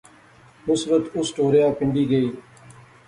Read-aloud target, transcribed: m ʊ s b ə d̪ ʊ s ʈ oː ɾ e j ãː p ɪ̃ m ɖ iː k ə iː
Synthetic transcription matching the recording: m ʊ s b ə t̪ ʊ s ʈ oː ɾ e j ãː p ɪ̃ ɳ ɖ iː ɡ ə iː